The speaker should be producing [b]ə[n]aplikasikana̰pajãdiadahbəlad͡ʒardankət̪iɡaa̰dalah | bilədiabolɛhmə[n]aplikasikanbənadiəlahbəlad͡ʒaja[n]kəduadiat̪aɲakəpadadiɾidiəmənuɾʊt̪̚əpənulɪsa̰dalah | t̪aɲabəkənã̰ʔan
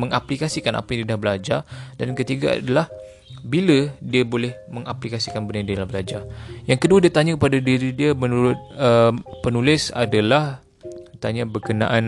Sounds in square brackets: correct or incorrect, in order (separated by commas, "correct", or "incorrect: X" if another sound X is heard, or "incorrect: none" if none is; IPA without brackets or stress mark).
incorrect: m, incorrect: ŋ, incorrect: ŋ, incorrect: ŋ